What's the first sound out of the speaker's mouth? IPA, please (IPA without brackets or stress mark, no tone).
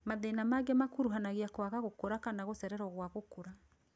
m